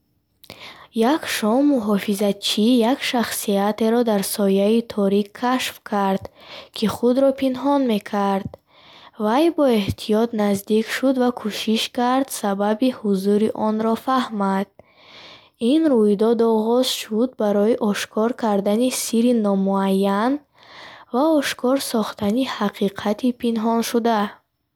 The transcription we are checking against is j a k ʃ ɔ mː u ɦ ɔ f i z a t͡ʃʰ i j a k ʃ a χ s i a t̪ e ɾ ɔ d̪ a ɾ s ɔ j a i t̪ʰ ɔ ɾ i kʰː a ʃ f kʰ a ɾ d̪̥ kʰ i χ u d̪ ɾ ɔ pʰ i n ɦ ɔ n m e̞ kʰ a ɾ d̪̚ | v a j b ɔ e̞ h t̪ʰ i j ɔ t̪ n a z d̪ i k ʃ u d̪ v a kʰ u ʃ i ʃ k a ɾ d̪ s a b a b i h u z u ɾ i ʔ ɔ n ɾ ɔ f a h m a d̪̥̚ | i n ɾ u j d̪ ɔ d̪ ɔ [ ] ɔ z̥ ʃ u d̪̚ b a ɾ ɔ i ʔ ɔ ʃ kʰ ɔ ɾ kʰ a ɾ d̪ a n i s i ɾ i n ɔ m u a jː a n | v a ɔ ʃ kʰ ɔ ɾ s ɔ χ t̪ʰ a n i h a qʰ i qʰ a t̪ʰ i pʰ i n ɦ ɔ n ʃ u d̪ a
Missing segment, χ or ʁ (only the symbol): ʁ